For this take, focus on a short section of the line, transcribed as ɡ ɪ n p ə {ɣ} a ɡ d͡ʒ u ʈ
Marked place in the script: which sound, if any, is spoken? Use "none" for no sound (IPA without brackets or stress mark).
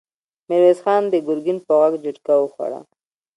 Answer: ɣ